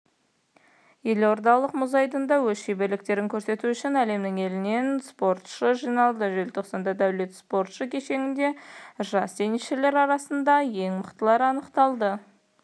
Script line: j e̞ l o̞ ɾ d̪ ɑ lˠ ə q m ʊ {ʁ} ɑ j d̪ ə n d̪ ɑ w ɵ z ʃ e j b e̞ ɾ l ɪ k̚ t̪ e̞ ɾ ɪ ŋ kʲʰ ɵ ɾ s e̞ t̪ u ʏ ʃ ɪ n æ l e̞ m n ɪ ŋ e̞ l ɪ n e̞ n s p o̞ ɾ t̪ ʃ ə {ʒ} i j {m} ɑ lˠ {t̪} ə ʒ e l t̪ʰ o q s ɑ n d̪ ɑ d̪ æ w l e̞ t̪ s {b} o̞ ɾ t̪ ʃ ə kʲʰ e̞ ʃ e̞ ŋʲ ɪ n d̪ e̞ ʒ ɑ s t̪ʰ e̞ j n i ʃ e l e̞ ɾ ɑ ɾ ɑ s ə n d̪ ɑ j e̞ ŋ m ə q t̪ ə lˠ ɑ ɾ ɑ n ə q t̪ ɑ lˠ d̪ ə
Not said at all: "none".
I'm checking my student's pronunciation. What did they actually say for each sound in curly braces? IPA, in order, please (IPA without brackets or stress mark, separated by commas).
z, ʒ, n, d̪, p